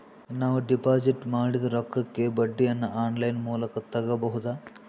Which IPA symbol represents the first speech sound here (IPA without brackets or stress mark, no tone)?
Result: n